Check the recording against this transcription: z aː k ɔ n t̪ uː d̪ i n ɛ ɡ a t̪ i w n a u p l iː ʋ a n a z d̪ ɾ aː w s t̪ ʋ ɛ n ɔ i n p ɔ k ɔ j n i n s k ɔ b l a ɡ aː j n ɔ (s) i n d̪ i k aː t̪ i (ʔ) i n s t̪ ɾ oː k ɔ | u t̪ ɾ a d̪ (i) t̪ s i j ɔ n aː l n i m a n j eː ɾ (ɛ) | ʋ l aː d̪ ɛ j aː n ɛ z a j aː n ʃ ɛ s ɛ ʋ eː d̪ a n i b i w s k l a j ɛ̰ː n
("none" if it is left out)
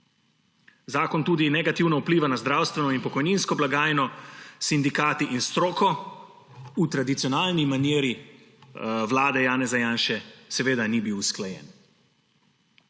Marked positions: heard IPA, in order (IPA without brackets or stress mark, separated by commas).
s, ʔ, i, i